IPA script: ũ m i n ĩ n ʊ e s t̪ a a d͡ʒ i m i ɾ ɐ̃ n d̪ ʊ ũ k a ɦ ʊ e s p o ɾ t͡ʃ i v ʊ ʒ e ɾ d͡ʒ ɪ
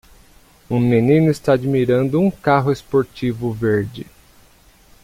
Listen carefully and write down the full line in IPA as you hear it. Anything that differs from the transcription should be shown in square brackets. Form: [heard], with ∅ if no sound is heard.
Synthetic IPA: ũ m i n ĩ n ʊ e s t̪ a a d͡ʒ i m i ɾ ɐ̃ n d̪ ʊ ũ k a ɦ ʊ e s p o ɾ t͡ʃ i v ʊ [v] e ɾ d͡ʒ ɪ